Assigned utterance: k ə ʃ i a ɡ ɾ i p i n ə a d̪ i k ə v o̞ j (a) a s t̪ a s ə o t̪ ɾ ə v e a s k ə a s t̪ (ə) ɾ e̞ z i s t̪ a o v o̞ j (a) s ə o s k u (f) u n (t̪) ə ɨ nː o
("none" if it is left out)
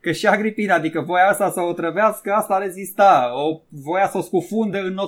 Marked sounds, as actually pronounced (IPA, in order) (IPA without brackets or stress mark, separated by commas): a, a, a, f, d̪